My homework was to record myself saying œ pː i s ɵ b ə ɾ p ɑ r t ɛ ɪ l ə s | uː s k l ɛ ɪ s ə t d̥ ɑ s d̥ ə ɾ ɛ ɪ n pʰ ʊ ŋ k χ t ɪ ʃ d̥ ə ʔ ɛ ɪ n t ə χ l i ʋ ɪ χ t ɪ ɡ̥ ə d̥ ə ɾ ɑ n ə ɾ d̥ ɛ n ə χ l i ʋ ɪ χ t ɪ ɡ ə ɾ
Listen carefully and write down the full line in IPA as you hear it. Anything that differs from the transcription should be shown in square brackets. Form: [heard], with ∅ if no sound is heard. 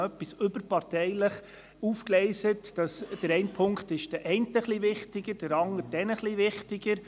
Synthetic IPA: œ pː i s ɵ b ə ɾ p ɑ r t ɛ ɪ l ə [χ] | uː [f] k l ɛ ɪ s ə t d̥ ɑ s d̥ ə ɾ ɛ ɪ n pʰ ʊ ŋ k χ t ɪ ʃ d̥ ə ʔ ɛ ɪ n t ə χ l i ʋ ɪ χ t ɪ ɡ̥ ə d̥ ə ɾ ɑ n ə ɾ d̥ ɛ n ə χ l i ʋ ɪ χ t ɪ ɡ ə ɾ